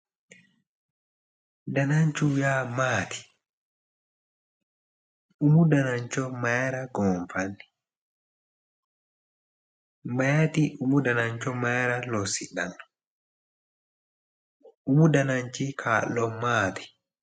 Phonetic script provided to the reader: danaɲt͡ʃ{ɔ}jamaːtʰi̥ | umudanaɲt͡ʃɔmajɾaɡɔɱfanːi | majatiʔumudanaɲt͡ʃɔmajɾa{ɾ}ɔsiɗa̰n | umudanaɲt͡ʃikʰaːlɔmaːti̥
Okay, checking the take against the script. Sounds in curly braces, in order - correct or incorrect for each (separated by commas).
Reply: incorrect, incorrect